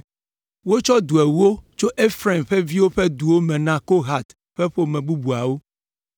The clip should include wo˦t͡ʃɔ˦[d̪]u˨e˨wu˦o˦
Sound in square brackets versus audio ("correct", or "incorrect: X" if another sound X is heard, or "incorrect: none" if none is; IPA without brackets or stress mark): correct